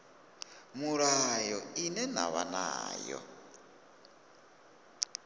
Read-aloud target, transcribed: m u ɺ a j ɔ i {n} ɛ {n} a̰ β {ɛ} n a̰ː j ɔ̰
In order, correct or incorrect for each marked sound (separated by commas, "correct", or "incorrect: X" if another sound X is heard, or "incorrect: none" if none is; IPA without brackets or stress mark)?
correct, correct, incorrect: a